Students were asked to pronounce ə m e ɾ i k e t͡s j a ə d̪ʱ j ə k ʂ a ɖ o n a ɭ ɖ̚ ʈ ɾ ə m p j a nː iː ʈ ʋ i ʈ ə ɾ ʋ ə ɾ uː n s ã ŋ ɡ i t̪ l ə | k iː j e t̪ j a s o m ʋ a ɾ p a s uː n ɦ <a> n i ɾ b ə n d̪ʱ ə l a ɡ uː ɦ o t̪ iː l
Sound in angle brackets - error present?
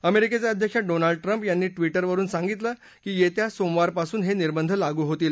yes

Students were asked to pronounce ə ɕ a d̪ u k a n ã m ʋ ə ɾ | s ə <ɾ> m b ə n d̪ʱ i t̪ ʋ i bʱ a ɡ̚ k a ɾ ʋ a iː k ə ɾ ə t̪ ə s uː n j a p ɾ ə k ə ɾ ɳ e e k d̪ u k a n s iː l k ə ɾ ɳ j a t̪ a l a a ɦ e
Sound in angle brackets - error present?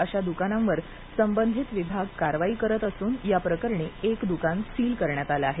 yes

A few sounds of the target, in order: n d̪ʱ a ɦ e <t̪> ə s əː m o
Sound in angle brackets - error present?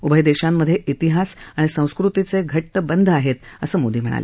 no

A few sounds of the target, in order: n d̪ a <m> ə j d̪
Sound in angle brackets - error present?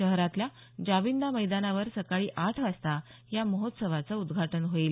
no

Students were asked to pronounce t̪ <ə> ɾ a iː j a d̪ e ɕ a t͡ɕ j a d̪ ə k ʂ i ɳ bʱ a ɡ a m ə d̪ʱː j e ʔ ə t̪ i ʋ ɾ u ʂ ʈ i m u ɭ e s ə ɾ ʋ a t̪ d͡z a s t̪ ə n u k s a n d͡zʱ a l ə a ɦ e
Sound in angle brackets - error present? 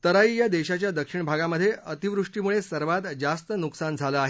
no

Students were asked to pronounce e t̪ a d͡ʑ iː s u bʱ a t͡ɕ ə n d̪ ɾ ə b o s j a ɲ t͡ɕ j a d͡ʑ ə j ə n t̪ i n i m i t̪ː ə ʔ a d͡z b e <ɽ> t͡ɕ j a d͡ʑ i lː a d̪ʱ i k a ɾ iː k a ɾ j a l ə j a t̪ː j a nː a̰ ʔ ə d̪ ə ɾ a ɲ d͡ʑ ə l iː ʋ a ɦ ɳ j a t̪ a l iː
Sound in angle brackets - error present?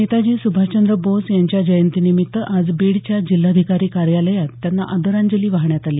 no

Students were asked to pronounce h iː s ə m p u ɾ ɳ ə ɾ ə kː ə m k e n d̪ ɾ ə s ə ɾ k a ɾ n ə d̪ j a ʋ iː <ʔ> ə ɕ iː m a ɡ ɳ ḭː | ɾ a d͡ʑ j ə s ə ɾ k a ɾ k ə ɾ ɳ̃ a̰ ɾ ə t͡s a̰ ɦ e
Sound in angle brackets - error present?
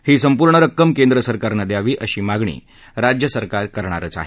no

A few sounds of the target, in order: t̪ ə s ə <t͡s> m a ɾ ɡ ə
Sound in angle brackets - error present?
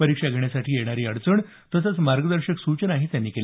no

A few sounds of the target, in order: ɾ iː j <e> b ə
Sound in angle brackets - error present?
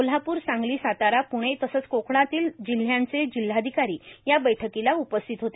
yes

